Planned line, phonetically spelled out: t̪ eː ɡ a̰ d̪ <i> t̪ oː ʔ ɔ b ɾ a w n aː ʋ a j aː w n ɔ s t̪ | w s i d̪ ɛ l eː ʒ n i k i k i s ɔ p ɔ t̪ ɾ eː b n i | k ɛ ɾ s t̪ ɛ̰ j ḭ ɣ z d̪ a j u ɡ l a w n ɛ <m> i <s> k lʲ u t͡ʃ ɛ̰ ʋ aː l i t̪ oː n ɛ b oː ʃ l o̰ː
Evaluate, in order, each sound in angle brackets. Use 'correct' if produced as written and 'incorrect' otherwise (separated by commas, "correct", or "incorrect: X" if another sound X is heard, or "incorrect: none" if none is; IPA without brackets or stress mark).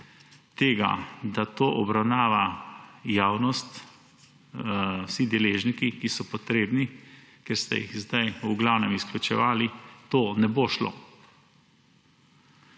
incorrect: a, correct, correct